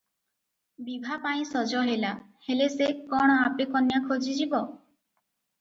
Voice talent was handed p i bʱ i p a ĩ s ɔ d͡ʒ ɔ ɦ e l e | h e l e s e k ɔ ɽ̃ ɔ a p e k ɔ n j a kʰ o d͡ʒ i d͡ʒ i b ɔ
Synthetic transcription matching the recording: b i bʱ a p a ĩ s ɔ d͡ʒ ɔ ɦ e l a | h e l e s e k ɔ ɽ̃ ɔ a p e k ɔ n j a kʰ o d͡ʒ i d͡ʒ i b ɔ